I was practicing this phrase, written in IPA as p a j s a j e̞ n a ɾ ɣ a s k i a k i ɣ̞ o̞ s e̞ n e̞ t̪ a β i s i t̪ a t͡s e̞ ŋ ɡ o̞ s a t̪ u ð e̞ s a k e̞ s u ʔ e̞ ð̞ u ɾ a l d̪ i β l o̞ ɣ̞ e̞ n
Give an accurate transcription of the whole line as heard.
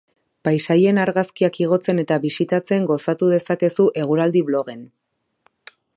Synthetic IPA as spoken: p a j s a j e̞ n a ɾ ɣ a s k i a k i ɣ̞ o̞ t͡s e̞ n e̞ t̪ a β i s i t̪ a t͡s e̞ ŋ ɡ o̞ s a t̪ u ð e̞ s a k e̞ s u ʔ e̞ ɣ̞ u ɾ a l d̪ i β l o̞ ɣ̞ e̞ n